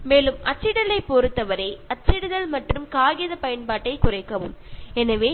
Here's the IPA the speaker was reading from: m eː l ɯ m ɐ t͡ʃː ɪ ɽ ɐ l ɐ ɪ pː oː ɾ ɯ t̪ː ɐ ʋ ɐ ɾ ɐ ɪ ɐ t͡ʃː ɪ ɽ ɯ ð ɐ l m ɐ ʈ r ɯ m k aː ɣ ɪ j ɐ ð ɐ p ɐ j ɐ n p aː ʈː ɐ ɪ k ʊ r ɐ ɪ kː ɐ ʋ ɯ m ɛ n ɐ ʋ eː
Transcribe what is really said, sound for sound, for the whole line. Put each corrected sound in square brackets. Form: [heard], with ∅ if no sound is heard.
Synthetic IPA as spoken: m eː l ɯ m ɐ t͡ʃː ɪ ɽ ɐ l ɐ ɪ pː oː ɾ ɯ t̪ː ɐ ʋ ɐ ɾ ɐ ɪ ɐ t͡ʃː ɪ ɽ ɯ ð ɐ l m ɐ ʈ r ɯ m k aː ɣ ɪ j ɐ ð ɐ p ɐ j ɐ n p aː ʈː ɐ ɪ k ʊ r ɐ ɪ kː ɐ ʋ ɯ m ɛ n ɐ ʋ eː